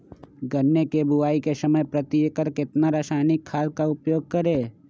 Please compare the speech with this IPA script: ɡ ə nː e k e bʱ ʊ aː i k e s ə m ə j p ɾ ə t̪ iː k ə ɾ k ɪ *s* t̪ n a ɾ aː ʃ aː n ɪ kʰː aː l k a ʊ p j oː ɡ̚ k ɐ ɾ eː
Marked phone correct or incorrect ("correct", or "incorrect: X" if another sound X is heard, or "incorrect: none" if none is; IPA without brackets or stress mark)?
incorrect: none